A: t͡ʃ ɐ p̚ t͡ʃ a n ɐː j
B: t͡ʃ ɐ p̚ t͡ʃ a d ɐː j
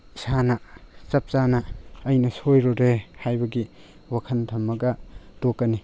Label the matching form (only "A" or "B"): A